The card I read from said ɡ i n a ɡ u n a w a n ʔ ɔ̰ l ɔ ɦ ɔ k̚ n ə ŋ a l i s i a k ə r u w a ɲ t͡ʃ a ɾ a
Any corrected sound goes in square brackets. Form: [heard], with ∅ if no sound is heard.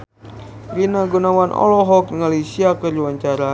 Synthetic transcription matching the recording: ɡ i n a ɡ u n a w a n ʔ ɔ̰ l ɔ ɦ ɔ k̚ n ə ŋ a l i s i a k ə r u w a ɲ t͡ʃ a ɾ a